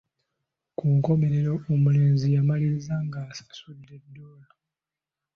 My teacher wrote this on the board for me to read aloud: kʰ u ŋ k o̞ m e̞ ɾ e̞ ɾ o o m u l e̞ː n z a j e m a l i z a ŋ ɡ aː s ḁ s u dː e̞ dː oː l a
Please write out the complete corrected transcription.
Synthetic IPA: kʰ u ŋ k o̞ m e̞ ɾ e̞ ɾ o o m u l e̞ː n z i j a m a l i z a ŋ ɡ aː s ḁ s u dː e̞ dː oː l a